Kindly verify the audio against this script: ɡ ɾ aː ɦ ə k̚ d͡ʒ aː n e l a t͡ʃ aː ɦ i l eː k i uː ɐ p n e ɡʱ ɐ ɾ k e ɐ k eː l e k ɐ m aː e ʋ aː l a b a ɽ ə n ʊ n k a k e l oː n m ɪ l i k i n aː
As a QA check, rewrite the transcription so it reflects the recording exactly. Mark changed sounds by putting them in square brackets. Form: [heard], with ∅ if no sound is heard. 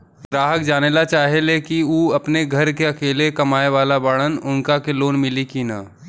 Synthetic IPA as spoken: ɡ ɾ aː ɦ ə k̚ d͡ʒ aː n e l a t͡ʃ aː ɦ [e] l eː k i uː ɐ p n e ɡʱ ɐ ɾ k e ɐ k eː l e k ɐ m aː e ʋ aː l a b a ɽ ə n ʊ n k a k e l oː n m ɪ l i k i n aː